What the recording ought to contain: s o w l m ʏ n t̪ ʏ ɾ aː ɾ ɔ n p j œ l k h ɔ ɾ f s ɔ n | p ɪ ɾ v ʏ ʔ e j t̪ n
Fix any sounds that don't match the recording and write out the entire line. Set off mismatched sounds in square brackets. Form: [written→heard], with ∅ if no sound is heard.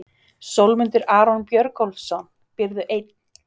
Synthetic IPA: s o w l m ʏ n t̪ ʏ ɾ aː ɾ ɔ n p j œ [l→ɾ] k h ɔ [ɾ→l] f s ɔ n | p ɪ ɾ [v→ð] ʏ ʔ e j t̪ n